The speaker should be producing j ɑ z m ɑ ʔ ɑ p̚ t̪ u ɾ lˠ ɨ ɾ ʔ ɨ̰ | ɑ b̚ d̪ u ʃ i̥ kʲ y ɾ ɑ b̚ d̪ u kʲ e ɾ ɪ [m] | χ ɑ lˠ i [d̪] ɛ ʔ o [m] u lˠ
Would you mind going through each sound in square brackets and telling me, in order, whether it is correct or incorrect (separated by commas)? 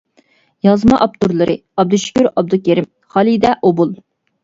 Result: correct, correct, incorrect